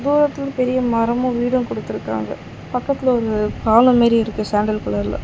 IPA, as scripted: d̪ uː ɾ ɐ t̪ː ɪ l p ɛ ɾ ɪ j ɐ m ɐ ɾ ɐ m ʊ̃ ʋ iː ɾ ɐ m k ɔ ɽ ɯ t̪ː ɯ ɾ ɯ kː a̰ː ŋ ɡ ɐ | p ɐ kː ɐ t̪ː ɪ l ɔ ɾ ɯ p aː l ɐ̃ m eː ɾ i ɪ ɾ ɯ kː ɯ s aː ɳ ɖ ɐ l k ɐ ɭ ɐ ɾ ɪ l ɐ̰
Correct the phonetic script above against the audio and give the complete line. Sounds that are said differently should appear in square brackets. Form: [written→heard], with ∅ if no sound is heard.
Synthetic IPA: d̪ uː ɾ ɐ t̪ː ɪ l p ɛ ɾ ɪ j ɐ m ɐ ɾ ɐ m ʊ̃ ʋ iː [ɾ→ɽ] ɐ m k ɔ ɽ ɯ t̪ː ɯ ɾ ɯ kː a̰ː ŋ ɡ ɐ | p ɐ kː ɐ t̪ː ɪ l ɔ ɾ ɯ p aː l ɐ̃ m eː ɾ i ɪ ɾ ɯ kː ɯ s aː ɳ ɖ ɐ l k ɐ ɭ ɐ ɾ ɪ l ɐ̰